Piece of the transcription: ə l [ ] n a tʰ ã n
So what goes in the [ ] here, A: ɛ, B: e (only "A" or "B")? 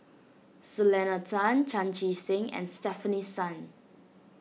A